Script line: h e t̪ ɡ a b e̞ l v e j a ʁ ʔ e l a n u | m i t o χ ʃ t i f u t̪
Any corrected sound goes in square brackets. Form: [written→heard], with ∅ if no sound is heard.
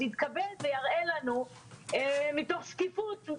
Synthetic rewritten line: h [e→i] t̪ [ɡ→k] a b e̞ l v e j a ʁ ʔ e l a n u | m i t o χ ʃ [t→k] i f u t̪